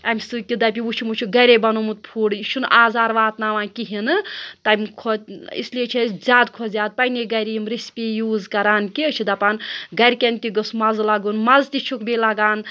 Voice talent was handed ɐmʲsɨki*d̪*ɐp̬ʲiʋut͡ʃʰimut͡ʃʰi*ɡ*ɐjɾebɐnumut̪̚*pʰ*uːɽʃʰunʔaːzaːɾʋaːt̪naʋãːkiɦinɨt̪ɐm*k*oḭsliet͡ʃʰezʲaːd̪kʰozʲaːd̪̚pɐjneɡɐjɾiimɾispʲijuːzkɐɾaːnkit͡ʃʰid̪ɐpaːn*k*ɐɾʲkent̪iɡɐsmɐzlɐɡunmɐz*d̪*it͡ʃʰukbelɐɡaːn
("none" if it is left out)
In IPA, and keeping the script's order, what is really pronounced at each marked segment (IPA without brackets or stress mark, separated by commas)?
d̪, ɡ, pʰ, kʰ, ɡ, t̪